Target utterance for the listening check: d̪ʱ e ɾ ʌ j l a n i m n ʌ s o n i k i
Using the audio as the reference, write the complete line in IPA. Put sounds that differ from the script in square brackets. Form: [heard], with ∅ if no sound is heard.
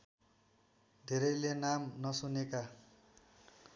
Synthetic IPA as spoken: d̪ʱ e ɾ ʌ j l [e] n [a] m n ʌ s [u] n [e] k [a]